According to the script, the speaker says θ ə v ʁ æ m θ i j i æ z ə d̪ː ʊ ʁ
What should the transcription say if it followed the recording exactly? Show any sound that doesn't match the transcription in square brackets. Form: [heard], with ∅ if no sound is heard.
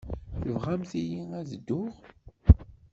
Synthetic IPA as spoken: θ ə v ʁ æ m θ i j i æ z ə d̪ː ʊ ʁ